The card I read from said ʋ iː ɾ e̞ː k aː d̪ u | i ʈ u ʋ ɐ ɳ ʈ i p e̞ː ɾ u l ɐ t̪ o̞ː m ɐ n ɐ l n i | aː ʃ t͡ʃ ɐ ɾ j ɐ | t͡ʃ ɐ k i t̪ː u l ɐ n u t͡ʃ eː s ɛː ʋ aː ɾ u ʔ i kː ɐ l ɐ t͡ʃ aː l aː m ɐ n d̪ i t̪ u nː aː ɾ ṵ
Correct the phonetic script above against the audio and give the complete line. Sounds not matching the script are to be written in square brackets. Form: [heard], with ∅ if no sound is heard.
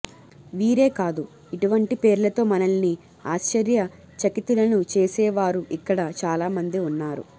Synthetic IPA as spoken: ʋ iː ɾ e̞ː k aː d̪ u | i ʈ u ʋ ɐ ɳ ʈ i p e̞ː ɾ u l ɐ t̪ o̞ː m ɐ n ɐ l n i | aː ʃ t͡ʃ ɐ ɾ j ɐ | t͡ʃ ɐ k i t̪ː u l ɐ n u t͡ʃ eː s ɛː ʋ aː ɾ u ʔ i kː ɐ [ɽ] ɐ t͡ʃ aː l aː m ɐ n d̪ i [∅] u nː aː ɾ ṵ